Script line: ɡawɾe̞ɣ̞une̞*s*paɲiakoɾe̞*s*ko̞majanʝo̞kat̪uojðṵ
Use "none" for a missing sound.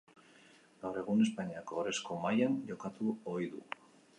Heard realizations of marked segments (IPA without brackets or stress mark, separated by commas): s, s